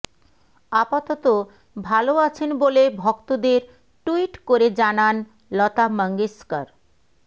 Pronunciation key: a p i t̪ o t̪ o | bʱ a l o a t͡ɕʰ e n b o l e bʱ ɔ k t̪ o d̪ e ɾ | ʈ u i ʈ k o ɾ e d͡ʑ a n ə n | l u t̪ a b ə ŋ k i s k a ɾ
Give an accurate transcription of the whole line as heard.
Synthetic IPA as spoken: a p a t̪ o t̪ o | bʱ a l o a t͡ɕʰ e n b o l e bʱ ɔ k t̪ o d̪ e ɾ | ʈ u i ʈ k o ɾ e d͡ʑ a n a n | l ɔ t̪ a m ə ŋ ɡ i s k a ɾ